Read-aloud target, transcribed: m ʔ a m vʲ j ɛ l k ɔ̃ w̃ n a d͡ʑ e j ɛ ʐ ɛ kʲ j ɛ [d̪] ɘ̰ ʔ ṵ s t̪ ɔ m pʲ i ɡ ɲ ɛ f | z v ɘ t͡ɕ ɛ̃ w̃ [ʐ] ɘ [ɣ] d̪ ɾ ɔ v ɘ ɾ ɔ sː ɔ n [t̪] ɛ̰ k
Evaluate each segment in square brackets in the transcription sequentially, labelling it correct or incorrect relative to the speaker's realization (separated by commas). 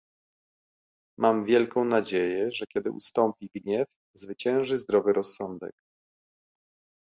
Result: correct, correct, incorrect, incorrect